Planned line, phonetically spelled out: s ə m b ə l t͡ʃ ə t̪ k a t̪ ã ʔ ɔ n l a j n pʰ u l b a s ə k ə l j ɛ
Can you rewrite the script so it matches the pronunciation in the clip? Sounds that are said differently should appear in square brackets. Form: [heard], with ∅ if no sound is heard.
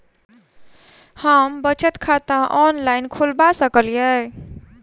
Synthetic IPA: [h] ə m b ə [∅] t͡ʃ ə t̪ [kʰ] a t̪ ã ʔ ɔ n l a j n [kʰ] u l b a s ə k ə l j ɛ

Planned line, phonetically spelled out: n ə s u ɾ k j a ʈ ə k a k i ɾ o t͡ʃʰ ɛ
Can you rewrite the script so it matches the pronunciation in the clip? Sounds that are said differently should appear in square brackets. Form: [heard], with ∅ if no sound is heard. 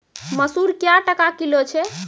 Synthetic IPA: [m] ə s u ɾ k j a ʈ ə k a k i [l] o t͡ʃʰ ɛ

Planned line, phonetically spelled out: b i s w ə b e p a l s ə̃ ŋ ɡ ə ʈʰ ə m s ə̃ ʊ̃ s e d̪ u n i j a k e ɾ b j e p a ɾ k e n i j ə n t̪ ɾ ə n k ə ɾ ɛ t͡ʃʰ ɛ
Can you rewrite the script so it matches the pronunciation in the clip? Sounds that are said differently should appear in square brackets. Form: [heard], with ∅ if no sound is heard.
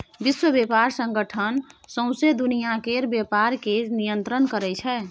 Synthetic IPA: b i s w ə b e p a [ɾ] s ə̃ ŋ ɡ ə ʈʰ ə [n] s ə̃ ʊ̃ s e d̪ u n i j a k e ɾ b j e p a ɾ k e n i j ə n t̪ ɾ ə n k ə ɾ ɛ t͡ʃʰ ɛ

